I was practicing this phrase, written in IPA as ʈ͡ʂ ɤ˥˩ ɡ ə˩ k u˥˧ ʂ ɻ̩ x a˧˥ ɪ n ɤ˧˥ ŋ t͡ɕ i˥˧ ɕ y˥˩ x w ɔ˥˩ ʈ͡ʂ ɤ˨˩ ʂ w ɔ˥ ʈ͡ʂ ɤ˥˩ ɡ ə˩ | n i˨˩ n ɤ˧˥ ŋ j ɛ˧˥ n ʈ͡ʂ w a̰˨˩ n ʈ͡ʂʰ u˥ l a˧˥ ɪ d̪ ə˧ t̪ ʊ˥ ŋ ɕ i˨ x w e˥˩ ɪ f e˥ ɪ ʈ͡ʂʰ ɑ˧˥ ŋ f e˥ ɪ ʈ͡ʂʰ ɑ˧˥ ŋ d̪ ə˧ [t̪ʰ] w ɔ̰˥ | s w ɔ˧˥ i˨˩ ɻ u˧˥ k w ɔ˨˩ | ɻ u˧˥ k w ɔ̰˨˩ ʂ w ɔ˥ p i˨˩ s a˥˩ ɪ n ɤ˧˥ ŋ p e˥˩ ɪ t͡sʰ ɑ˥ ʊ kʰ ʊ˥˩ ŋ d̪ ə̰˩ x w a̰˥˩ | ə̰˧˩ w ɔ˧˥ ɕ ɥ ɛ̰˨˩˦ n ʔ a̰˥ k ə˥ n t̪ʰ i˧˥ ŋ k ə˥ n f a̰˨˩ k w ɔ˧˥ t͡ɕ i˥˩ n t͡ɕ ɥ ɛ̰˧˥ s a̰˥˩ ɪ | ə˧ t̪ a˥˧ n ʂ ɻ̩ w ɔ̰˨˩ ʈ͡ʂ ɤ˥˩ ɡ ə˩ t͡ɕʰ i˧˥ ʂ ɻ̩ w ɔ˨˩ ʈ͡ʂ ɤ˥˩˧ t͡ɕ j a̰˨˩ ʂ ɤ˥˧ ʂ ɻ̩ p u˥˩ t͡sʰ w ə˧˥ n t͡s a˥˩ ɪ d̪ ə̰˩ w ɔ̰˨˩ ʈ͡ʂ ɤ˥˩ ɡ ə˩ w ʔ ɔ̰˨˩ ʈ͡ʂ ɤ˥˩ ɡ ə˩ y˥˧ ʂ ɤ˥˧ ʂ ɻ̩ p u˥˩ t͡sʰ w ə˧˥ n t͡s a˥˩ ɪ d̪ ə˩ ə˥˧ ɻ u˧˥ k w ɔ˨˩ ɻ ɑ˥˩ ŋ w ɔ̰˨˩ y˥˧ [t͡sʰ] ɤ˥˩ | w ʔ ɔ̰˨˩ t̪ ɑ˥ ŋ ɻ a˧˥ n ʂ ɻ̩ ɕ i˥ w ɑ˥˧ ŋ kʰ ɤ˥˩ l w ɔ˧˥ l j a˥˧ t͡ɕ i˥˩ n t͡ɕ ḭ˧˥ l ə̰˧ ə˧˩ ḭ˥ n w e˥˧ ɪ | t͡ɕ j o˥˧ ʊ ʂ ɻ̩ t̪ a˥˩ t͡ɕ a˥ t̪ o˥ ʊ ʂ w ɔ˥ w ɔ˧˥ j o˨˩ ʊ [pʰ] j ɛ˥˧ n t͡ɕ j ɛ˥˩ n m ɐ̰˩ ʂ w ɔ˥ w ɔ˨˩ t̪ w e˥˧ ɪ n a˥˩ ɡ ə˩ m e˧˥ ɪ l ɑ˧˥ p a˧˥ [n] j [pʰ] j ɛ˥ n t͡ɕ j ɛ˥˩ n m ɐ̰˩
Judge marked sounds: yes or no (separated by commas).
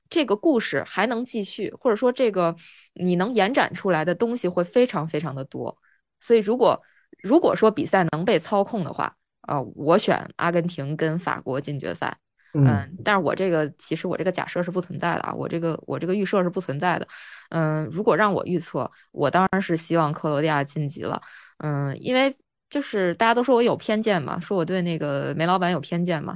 no, yes, yes, yes, yes